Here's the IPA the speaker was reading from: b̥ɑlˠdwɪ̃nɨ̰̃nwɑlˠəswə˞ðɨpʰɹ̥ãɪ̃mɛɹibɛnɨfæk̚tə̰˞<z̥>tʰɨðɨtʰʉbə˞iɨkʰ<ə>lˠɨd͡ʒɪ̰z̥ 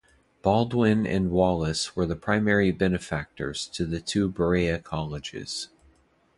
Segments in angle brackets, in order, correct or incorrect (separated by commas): correct, incorrect